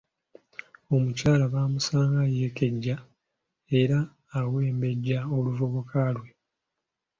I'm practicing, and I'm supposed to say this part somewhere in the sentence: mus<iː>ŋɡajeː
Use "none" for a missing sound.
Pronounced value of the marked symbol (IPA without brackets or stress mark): aː